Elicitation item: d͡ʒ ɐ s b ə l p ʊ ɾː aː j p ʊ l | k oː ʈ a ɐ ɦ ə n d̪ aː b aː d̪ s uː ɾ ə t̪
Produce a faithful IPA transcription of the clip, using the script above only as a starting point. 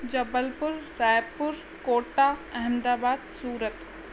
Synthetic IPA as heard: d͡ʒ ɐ b ə l p ʊ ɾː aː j p ʊ ɾ | k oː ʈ a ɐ ɦ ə m d̪ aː b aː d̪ s uː ɾ ə t̪